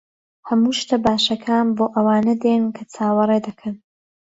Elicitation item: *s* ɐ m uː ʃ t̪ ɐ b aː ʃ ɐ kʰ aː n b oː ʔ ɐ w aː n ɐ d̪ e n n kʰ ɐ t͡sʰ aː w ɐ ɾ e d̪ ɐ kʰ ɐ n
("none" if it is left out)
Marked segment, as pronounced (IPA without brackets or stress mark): h